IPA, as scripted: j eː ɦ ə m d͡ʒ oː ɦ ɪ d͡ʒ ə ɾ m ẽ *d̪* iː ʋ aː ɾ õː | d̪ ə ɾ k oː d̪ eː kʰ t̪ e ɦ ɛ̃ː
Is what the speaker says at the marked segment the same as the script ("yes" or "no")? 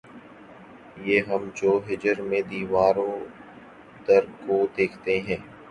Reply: yes